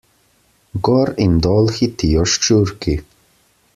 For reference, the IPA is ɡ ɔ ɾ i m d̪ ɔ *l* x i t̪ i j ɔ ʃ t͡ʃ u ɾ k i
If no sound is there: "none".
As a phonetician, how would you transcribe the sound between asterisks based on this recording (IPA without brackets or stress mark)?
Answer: l